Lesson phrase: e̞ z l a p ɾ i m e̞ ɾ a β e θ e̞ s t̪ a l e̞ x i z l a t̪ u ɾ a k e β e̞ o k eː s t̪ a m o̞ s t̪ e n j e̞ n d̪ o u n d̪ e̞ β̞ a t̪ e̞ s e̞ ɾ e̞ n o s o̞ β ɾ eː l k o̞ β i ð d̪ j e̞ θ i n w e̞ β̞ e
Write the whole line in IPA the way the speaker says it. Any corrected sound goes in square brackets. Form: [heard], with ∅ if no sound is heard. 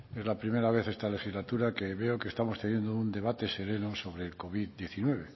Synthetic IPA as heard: e̞ z l a p ɾ i m e̞ ɾ a β e θ e̞ s t̪ a l e̞ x i z l a t̪ u ɾ a k e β e̞ o k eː s t̪ a m o̞ s t̪ e n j e̞ n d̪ o u n d̪ e̞ β̞ a t̪ e̞ s e̞ ɾ e̞ n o s o̞ β ɾ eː l k o̞ β i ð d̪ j e̞ θ i n w e̞ β̞ e